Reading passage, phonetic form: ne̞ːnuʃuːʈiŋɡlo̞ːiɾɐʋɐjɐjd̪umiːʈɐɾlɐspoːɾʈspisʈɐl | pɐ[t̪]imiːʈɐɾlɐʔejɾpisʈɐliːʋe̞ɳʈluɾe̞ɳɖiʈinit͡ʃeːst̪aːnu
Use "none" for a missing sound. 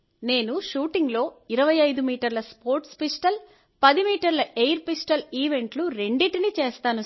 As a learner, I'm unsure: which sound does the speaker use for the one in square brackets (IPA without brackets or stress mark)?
d̪